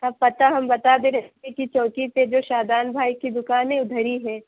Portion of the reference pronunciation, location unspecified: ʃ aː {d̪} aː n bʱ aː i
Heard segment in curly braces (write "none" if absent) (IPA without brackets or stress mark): d̪